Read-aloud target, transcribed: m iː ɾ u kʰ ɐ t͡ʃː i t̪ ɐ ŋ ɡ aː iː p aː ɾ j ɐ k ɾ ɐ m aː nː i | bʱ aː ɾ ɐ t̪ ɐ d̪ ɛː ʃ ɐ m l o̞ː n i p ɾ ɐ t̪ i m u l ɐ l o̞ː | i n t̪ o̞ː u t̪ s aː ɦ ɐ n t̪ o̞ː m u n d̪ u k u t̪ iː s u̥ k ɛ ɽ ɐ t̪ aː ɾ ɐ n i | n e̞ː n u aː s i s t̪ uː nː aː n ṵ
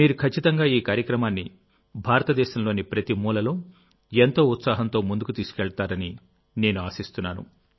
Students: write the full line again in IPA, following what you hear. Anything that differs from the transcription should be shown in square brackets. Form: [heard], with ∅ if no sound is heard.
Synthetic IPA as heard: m iː ɾ u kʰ ɐ t͡ʃː i t̪ ɐ ŋ ɡ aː iː [k] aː ɾ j ɐ k ɾ ɐ m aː nː i | bʱ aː ɾ ɐ t̪ ɐ d̪ ɛː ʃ ɐ m l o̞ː n i p ɾ ɐ t̪ i m [uː] l ɐ l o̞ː | [e] n t̪ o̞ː u t̪ s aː ɦ ɐ n t̪ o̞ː m u n d̪ u k u t̪ iː s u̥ k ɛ [ɭ] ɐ t̪ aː ɾ ɐ n i | n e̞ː n u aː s i s t̪ [u] nː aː n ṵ